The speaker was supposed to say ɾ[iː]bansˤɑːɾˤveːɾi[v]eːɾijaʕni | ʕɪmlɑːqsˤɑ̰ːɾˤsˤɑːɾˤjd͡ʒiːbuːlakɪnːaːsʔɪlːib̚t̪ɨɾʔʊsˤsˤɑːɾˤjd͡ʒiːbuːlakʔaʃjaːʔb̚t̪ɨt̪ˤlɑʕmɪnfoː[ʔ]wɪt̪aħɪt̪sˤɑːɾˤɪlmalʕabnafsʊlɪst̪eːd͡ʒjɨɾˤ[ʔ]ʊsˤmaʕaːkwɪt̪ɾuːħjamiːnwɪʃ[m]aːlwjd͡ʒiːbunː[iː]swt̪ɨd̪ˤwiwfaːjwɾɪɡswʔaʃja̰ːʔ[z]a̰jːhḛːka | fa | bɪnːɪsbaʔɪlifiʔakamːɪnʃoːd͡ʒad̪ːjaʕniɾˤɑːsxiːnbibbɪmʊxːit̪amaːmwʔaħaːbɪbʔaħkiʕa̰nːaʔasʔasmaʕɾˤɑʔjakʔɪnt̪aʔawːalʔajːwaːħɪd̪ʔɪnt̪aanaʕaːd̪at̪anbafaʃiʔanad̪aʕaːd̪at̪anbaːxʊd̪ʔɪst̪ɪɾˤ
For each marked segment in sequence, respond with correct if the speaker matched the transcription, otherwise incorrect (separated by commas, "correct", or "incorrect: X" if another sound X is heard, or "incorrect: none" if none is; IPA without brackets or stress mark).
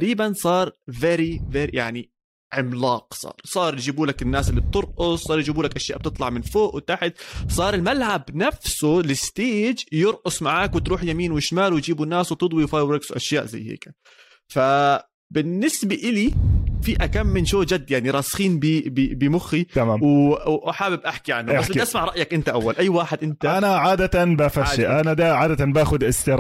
correct, correct, correct, correct, correct, incorrect: aː, correct